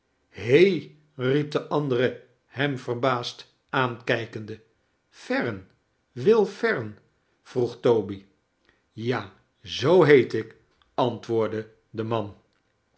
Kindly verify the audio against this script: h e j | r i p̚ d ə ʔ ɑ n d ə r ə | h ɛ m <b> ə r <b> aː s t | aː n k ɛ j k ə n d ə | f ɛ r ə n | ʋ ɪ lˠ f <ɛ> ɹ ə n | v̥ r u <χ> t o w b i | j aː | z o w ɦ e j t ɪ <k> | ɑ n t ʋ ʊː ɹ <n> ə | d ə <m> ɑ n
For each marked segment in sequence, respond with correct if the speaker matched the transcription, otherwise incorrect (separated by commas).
incorrect, correct, correct, correct, correct, incorrect, correct